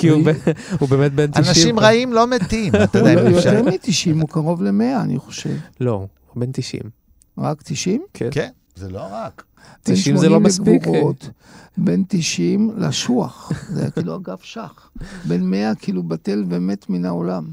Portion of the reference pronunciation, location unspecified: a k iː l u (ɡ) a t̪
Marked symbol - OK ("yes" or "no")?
no